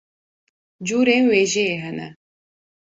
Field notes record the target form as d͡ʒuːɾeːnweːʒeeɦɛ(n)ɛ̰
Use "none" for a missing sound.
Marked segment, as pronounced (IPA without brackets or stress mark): n